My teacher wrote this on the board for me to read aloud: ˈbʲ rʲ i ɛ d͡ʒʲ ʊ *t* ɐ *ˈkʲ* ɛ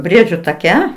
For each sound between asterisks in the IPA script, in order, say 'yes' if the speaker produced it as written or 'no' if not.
yes, yes

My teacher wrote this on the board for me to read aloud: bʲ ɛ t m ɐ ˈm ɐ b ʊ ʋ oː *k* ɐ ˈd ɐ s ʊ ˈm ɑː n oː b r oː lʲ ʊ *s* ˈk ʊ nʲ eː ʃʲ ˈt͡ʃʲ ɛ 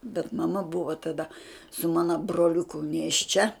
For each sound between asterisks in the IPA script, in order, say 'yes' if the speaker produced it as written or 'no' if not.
no, no

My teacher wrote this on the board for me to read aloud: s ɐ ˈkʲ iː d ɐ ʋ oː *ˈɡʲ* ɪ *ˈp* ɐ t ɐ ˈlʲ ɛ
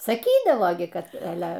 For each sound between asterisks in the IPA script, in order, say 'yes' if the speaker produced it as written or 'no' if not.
yes, no

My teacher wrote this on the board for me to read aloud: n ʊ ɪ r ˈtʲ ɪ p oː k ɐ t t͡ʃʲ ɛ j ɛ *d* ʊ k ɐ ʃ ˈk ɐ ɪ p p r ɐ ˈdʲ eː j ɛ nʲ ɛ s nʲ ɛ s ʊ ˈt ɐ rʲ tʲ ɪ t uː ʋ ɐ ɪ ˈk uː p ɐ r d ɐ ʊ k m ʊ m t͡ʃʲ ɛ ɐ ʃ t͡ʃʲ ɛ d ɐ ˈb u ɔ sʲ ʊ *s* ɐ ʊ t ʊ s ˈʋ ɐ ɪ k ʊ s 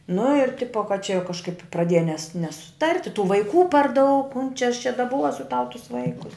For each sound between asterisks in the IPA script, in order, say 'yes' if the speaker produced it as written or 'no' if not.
no, no

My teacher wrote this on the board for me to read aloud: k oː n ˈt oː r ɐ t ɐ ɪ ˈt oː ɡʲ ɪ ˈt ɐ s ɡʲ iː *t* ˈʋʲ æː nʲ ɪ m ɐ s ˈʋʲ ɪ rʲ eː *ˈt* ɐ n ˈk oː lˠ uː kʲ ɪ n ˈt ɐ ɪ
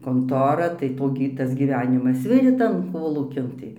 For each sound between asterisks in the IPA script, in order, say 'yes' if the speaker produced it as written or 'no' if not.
no, yes

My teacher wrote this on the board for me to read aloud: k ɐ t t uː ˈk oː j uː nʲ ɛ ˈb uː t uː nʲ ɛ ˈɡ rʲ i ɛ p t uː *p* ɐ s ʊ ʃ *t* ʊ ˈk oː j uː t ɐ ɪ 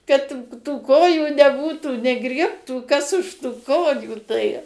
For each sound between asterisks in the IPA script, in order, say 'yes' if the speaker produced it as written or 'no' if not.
no, yes

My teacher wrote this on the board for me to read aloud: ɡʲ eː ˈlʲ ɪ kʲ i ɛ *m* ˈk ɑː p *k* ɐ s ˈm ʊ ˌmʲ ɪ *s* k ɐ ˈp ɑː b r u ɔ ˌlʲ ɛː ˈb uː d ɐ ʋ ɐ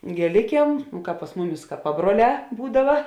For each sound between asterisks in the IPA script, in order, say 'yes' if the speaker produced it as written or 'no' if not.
yes, no, yes

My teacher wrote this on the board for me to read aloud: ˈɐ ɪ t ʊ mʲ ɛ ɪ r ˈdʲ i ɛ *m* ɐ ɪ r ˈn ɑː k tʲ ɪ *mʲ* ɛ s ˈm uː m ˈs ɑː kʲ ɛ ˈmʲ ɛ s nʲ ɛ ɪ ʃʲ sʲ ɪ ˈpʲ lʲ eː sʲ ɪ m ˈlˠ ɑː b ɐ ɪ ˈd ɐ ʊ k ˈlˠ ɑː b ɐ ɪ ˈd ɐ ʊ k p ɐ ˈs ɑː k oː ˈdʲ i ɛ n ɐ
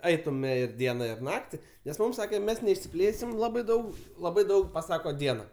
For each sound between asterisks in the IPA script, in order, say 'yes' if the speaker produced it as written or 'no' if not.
no, no

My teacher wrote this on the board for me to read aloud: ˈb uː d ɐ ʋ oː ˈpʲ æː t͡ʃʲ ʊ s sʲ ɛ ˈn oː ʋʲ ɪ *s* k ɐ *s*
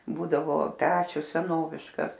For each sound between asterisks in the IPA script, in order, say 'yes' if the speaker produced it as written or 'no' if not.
no, yes

